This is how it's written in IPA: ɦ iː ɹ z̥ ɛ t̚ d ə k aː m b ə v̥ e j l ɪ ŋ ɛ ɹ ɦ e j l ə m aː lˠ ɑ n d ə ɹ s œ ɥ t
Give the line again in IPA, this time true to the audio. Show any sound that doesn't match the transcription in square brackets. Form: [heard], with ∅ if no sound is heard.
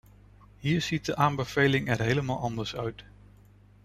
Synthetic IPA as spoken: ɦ iː ɹ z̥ [i] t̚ d ə [ʔ] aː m b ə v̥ e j l ɪ ŋ ɛ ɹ ɦ e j l ə m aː lˠ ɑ n d ə ɹ s œ ɥ t